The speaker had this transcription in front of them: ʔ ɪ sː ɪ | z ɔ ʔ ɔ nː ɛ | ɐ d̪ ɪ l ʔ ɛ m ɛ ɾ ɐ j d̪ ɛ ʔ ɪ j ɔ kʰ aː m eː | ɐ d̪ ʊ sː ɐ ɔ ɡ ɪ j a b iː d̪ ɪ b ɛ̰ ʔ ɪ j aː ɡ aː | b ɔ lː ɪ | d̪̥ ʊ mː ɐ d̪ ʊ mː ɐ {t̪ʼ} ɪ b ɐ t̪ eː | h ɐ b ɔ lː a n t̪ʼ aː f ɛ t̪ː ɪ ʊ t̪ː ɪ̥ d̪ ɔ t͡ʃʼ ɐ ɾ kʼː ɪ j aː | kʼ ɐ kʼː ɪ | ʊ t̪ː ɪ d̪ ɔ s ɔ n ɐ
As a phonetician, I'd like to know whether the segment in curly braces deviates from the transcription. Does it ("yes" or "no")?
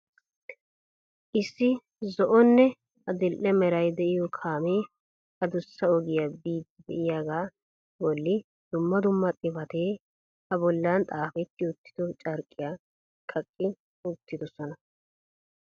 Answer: no